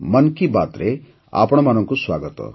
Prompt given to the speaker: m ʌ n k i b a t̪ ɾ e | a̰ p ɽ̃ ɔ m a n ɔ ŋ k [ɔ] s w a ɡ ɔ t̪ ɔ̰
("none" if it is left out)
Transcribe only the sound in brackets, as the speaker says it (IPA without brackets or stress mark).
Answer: u